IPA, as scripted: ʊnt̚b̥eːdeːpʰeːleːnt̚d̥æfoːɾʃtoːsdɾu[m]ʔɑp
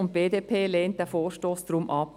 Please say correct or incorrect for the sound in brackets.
correct